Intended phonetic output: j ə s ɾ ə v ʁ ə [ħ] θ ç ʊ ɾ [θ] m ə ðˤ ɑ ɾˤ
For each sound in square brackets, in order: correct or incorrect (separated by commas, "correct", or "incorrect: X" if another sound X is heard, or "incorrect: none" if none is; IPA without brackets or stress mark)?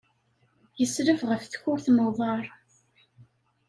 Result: incorrect: f, correct